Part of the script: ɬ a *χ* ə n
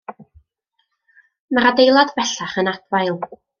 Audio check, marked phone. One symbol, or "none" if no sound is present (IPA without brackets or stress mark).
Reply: χ